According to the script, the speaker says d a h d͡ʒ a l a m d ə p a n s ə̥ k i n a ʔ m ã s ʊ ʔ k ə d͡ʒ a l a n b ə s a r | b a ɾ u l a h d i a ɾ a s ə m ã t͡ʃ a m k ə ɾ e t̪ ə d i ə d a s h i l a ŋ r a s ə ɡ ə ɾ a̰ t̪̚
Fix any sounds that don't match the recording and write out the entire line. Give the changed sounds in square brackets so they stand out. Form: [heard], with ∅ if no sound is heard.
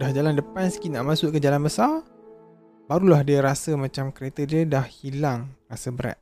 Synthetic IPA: d a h d͡ʒ a l a [n] d ə p a n s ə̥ k i n a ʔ m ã s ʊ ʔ k ə d͡ʒ a l a n b ə s a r | b a ɾ u l a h d i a ɾ a s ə m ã t͡ʃ a m k ə ɾ e t̪ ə d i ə d a [h] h i l a ŋ r a s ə [b] ə ɾ a̰ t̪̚